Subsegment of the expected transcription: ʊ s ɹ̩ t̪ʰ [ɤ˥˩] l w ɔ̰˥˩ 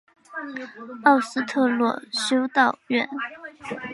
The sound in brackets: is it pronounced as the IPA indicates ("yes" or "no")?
no